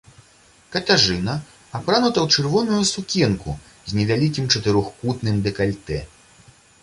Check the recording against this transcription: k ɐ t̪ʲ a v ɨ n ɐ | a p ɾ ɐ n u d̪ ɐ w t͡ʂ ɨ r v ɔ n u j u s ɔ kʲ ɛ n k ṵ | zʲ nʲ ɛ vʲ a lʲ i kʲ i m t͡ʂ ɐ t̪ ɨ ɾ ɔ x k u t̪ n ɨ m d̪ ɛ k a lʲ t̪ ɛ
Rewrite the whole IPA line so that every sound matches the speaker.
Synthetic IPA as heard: k ɐ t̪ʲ a ʐ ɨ n ɐ | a p ɾ a n u t̪ ɐ w t͡ʂ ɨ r v ɔ n u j u s u kʲ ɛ n k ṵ | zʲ nʲ ɛ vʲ a lʲ i kʲ i m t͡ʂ ɐ t̪ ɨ ɾ ɔ x k u t̪ n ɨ m d̪ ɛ k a lʲ t̪ ɛ